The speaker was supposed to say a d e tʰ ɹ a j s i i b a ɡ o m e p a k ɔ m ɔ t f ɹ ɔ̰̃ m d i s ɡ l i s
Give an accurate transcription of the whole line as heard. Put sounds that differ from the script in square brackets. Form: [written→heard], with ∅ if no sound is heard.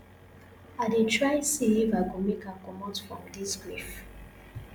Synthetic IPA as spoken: a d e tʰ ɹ a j s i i [b→v] a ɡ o m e [p→k] a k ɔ m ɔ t f ɹ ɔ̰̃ m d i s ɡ [l→ɹ] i [s→f]